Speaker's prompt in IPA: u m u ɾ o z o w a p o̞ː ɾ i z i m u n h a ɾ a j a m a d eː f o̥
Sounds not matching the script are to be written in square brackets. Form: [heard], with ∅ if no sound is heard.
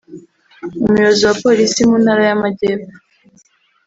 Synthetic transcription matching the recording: u m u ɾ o z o w a p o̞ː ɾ i [s] i m u n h a ɾ a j a m a [ɟ] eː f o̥